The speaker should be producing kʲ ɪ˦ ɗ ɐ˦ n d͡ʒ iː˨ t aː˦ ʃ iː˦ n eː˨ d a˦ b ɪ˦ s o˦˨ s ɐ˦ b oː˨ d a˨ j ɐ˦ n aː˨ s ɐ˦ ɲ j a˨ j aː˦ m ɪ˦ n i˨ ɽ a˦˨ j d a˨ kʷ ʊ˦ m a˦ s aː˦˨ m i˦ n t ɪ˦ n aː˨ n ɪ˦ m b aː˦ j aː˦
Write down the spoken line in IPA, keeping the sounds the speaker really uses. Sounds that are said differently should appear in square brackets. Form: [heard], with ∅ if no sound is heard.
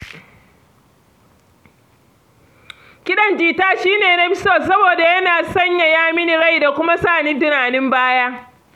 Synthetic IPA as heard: kʲ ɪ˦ ɗ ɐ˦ n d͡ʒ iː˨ t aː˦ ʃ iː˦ n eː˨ [n] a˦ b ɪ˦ s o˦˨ s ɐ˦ b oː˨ d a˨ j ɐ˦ n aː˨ s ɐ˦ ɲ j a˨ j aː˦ m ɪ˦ n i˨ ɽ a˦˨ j d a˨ kʷ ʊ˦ m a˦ s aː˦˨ [n] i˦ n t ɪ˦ n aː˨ n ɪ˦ m b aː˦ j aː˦